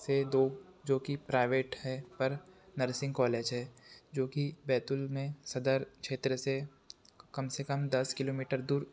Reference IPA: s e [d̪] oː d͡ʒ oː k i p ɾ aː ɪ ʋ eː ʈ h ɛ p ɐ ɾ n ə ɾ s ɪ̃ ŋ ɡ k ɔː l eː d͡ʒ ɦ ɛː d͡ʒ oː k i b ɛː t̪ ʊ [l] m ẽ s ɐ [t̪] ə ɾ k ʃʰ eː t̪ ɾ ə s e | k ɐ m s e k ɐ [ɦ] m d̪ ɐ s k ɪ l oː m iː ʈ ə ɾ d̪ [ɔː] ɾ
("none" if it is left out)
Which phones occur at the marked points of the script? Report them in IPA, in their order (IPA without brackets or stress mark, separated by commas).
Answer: d̪, l, d̪, none, uː